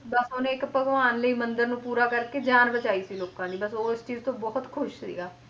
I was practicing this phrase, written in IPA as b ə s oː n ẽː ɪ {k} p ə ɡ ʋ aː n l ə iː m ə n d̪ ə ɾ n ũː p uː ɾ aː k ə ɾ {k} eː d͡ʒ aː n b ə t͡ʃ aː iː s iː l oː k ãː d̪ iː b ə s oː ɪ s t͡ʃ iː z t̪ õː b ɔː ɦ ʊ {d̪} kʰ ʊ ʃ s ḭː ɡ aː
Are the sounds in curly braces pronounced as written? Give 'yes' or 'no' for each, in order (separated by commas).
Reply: yes, yes, no